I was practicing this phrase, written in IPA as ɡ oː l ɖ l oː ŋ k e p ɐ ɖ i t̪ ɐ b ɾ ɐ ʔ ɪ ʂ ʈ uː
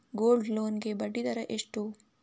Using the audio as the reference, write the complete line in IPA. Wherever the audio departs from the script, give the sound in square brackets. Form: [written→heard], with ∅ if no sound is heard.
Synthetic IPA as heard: ɡ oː l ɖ l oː [ŋ→n] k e [p→b] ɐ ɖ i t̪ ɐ [b→∅] ɾ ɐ ʔ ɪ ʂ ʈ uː

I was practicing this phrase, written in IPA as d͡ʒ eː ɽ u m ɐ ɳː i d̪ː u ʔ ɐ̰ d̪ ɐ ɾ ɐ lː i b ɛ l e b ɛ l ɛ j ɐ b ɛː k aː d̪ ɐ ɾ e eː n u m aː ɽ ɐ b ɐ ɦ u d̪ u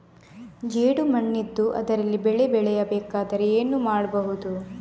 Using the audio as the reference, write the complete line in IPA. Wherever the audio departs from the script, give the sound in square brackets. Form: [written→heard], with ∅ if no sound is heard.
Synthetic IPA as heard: d͡ʒ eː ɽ u m ɐ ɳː i d̪ː u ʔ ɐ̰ d̪ ɐ ɾ ɐ lː i b ɛ [l→ɭ] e b ɛ [l→ɭ] ɛ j ɐ b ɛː k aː d̪ ɐ ɾ e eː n u m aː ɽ ɐ b ɐ ɦ u d̪ u

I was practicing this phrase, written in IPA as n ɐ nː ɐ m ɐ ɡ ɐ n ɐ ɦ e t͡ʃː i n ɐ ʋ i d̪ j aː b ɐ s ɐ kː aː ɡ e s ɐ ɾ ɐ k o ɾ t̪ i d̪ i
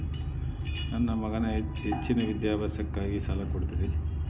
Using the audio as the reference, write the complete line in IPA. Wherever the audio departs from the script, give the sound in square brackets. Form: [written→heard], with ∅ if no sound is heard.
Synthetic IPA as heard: n ɐ nː ɐ m ɐ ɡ ɐ n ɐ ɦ e t͡ʃː i n ɐ ʋ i d̪ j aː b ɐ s ɐ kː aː ɡ [e→i] s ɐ [ɾ→l] ɐ k o [ɾ→ɽ] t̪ i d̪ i

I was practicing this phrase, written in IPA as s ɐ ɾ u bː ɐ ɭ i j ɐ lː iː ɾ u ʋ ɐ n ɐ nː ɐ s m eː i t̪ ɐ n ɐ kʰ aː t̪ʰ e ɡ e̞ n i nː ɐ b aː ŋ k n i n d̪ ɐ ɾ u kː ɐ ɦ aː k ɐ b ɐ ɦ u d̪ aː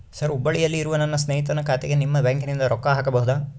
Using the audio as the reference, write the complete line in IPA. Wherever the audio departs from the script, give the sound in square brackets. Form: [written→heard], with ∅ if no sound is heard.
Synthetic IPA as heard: s ɐ ɾ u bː ɐ ɭ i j ɐ lː iː ɾ u ʋ ɐ n ɐ nː ɐ s [m→n] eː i t̪ ɐ n ɐ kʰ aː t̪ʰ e ɡ e̞ n i [nː→mː] ɐ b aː ŋ k n i n d̪ ɐ ɾ [u→ɔ] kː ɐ ɦ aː k ɐ b ɐ ɦ u d̪ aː

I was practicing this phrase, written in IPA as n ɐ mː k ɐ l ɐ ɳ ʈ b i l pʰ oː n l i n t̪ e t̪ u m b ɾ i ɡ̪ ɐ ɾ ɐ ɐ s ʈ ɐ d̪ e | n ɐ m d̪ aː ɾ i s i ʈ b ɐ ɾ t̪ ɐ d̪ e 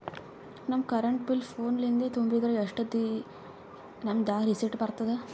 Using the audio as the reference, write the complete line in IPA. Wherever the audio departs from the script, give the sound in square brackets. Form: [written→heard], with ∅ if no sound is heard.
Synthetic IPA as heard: n ɐ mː k ɐ [l→ɾ] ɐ ɳ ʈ b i l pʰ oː n l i n [t̪→d̪] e t̪ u m b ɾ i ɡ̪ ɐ ɾ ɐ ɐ [s→ʂ] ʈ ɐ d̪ [e→i] | n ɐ m d̪ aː ɾ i s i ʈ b ɐ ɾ t̪ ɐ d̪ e

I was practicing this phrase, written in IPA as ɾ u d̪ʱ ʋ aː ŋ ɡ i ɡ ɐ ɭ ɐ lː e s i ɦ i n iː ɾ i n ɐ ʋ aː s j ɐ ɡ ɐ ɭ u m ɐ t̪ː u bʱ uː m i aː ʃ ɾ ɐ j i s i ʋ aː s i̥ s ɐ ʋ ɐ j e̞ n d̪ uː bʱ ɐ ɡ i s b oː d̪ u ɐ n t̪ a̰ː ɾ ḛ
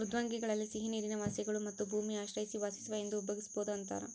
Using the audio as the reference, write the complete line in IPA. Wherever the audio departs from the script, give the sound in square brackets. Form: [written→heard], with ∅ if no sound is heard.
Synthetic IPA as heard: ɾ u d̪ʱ ʋ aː ŋ ɡ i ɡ ɐ ɭ ɐ lː [e→i] s i ɦ i n iː ɾ i n ɐ ʋ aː s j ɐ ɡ ɐ ɭ u m ɐ t̪ː u bʱ uː m i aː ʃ ɾ ɐ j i s i ʋ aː s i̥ s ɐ ʋ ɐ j e̞ n d̪ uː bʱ ɐ ɡ i s b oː d̪ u ɐ n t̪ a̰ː ɾ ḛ

